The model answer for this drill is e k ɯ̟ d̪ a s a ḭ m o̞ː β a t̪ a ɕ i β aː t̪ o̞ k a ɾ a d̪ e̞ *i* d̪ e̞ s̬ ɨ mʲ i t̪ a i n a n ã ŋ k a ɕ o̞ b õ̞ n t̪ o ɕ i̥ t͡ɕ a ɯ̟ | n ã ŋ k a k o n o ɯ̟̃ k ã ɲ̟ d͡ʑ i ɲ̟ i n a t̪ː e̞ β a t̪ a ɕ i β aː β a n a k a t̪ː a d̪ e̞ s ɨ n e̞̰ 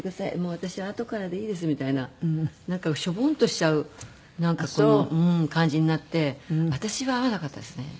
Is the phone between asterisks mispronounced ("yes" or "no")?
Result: yes